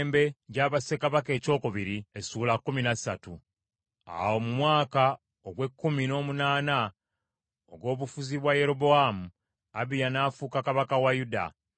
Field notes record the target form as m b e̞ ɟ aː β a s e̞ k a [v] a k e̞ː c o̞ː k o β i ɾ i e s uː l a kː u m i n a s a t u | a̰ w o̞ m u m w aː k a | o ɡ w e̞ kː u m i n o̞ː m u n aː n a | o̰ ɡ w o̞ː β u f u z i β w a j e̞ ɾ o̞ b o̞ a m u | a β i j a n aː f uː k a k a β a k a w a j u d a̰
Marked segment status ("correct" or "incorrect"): incorrect